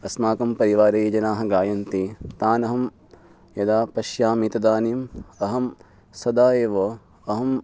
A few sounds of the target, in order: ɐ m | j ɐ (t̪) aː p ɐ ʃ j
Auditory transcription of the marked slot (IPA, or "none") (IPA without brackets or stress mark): d̪